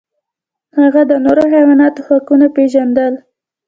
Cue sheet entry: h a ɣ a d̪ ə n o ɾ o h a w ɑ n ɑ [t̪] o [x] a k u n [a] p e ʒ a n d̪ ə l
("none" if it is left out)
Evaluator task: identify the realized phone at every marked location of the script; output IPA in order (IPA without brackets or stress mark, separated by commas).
t̪, x, a